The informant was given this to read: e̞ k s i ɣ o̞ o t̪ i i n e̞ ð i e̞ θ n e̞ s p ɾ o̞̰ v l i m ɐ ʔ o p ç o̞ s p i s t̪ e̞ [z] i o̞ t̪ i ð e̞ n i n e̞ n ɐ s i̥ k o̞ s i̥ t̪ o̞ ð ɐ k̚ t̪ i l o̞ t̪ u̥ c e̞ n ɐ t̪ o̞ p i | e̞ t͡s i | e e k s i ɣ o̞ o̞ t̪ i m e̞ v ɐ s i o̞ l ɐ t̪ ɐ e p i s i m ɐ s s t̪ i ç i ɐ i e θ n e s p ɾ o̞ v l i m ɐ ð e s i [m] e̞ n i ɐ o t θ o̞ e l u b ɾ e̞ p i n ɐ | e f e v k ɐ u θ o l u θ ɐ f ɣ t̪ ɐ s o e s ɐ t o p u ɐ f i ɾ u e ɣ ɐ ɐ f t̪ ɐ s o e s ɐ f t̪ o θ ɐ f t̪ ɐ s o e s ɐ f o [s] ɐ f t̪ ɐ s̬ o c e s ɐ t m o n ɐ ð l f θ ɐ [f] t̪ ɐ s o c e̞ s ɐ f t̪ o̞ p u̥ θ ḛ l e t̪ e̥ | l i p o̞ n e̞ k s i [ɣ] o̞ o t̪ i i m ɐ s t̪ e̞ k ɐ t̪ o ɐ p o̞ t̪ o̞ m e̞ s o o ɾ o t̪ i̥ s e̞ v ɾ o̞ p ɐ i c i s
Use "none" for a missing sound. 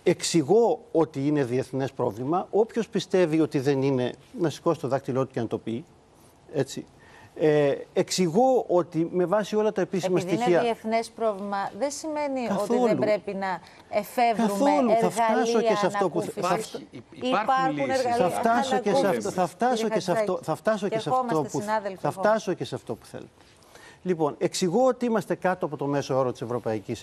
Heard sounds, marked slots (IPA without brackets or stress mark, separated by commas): v, m, θ, f, ɣ